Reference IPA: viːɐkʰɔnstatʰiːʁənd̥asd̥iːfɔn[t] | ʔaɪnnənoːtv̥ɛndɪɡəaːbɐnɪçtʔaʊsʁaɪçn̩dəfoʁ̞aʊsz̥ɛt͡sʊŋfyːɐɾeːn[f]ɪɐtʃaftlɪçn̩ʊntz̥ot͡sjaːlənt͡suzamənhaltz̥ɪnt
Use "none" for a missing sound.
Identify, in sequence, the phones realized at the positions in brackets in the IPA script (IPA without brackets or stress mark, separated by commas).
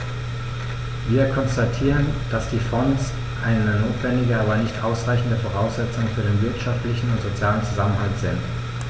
s, v